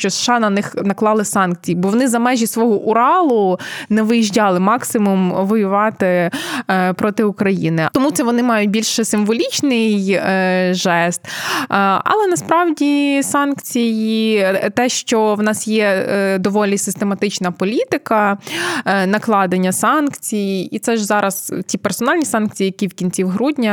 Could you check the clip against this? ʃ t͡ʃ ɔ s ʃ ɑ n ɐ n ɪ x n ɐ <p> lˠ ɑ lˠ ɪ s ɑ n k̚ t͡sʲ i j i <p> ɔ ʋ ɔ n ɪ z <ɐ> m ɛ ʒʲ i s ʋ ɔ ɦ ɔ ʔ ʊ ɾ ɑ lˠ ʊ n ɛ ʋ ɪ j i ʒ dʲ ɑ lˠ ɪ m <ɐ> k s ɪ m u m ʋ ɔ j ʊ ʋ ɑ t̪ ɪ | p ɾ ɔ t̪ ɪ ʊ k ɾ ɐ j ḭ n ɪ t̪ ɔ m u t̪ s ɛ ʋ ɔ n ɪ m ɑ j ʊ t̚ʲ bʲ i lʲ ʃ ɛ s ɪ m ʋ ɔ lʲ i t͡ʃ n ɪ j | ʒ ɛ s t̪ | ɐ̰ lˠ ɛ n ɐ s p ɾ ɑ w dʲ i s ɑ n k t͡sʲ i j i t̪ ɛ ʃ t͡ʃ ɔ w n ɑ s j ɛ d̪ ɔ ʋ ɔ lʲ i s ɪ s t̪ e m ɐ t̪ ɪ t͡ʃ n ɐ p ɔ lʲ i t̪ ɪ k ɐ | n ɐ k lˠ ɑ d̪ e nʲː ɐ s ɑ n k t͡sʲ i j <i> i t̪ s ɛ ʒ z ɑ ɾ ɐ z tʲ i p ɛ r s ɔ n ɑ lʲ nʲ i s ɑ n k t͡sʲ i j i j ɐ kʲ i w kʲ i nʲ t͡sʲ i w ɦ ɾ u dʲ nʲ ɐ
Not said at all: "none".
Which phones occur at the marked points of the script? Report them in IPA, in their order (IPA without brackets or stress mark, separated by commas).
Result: k, b, ɐ, ɑ, i